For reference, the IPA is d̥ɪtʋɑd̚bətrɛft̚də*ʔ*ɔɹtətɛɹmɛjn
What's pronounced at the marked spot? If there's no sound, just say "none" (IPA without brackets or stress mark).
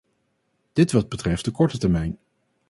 k